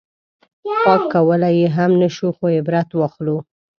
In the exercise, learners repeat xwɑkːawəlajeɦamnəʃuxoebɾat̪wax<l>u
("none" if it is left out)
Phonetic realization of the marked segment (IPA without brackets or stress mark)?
l